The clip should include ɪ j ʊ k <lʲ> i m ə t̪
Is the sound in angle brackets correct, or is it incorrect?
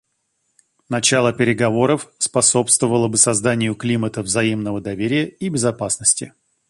correct